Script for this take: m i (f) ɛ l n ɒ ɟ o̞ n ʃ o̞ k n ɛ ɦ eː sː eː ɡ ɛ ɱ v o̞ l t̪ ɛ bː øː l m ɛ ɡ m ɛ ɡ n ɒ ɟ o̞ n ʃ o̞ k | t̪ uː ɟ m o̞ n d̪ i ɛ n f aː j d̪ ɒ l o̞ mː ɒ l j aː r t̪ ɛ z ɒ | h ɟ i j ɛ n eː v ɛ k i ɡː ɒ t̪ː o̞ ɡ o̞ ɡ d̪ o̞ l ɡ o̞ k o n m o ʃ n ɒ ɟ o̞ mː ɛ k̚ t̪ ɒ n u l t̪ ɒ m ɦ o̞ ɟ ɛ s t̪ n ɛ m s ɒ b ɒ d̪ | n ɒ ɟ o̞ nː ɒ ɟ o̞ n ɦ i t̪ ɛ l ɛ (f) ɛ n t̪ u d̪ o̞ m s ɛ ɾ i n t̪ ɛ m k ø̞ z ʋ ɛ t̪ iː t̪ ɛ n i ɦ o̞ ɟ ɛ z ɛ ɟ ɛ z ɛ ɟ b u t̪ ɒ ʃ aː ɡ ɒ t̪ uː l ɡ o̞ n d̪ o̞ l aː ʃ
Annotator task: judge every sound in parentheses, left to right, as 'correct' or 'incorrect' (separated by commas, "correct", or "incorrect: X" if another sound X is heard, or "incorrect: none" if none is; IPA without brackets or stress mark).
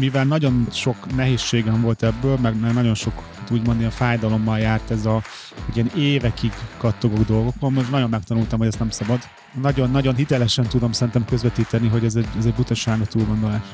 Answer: incorrect: v, incorrect: ʃ